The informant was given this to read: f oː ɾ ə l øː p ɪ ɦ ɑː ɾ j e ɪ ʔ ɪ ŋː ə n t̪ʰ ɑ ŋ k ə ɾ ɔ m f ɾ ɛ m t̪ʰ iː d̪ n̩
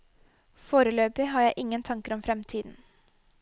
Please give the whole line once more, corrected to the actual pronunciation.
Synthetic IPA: f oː ɾ ə l øː p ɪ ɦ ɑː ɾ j æ ɪ ʔ ɪ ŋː ə n t̪ʰ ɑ ŋ k ə ɾ ɔ m f ɾ ɛ m t̪ʰ iː d̪ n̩